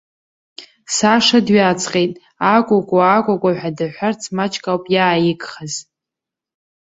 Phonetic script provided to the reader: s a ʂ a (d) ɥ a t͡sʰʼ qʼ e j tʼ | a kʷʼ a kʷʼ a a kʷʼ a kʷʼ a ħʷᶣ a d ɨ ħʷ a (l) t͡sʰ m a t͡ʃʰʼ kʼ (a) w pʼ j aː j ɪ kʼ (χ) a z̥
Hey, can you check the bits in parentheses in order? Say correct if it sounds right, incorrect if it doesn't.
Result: correct, incorrect: r, correct, correct

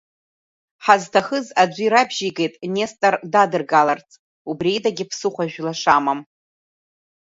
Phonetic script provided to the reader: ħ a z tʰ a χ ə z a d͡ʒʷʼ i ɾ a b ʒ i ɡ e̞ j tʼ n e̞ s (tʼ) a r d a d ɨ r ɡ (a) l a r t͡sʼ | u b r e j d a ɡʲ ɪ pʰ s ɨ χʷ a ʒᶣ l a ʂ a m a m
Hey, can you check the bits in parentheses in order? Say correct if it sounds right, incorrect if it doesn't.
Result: correct, correct

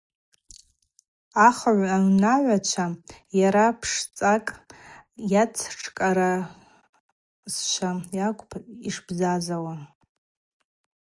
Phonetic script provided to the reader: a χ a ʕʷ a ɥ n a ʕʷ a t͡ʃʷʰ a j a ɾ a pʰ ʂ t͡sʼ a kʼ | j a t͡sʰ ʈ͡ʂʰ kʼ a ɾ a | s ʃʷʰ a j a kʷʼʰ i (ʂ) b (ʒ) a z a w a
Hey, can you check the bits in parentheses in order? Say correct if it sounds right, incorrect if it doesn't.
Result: correct, incorrect: z

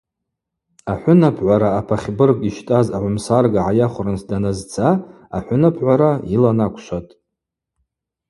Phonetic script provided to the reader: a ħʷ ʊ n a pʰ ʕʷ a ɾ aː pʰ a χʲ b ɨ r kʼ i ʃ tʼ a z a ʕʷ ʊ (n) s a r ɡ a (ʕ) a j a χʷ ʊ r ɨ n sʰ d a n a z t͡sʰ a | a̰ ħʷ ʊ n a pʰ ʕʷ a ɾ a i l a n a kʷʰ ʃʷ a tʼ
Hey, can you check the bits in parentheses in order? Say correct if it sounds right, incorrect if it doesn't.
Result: incorrect: m, correct

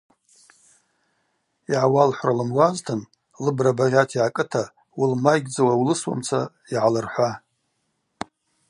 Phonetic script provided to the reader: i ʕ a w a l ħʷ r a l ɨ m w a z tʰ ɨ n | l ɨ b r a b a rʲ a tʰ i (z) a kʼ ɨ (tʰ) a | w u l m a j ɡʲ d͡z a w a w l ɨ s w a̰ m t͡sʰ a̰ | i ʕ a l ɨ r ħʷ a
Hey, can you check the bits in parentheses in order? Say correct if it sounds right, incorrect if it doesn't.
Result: incorrect: ʕ, correct

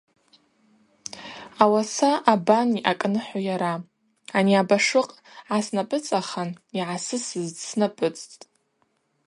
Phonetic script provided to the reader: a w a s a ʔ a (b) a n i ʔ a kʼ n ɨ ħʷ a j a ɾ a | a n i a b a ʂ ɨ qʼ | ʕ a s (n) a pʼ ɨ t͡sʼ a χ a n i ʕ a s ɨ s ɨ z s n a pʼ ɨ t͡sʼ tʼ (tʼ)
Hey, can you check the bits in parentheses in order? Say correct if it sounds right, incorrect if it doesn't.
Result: correct, correct, correct

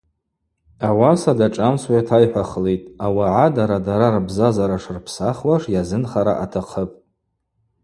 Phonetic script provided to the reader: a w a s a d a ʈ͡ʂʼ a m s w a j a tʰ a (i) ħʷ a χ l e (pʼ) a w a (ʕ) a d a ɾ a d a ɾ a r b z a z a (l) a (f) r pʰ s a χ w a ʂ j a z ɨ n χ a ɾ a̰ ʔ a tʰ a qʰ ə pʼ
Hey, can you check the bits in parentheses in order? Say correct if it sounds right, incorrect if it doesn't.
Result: incorrect: j, incorrect: tʼ, correct, incorrect: ɾ, incorrect: ʂ

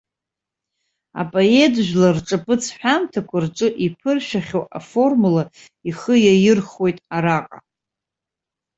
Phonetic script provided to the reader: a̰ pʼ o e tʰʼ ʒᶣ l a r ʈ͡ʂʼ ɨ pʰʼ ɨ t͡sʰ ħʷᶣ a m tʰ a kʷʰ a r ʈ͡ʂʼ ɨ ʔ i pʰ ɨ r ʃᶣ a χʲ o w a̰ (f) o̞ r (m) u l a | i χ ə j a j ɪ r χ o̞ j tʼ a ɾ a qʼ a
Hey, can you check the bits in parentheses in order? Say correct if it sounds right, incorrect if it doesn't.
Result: correct, correct

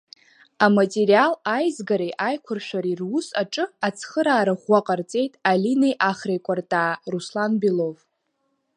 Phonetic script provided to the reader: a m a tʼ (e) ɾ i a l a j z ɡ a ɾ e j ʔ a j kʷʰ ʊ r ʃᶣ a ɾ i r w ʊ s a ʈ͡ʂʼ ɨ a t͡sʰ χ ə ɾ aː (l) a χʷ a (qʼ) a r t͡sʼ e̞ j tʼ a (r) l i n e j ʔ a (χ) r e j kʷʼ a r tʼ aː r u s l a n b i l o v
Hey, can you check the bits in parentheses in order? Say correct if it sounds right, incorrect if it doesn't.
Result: correct, incorrect: ɾ, correct, incorrect: none, correct

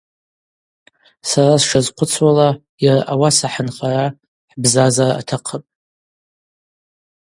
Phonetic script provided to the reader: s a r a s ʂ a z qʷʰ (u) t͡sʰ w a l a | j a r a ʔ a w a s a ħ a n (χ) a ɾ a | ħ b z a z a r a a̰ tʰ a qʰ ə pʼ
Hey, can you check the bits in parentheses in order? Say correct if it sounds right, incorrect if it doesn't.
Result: incorrect: ʊ, correct

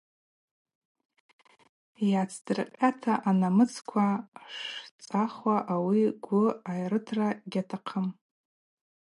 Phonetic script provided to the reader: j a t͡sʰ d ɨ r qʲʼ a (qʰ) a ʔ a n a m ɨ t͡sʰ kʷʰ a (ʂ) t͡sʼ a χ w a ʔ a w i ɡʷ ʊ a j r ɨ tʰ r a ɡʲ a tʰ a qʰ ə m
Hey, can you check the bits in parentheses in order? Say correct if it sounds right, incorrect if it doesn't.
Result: incorrect: tʰ, correct

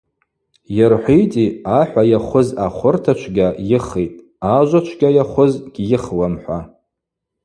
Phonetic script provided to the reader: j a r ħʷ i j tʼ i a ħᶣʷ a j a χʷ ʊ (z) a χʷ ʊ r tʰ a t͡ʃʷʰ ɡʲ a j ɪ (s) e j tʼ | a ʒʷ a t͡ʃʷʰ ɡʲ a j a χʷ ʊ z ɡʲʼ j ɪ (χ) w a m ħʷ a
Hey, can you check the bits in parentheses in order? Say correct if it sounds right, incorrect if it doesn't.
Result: correct, incorrect: χ, correct

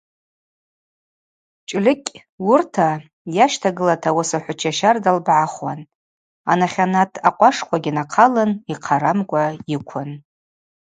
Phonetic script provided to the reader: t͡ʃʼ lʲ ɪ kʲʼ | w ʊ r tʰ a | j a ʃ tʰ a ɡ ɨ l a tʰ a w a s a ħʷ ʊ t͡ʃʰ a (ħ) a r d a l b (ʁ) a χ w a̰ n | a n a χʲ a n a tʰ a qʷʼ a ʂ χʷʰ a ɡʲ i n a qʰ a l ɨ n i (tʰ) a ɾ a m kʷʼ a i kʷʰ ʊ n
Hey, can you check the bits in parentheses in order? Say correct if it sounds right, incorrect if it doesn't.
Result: incorrect: ʃ, incorrect: ʕ, incorrect: qʰ

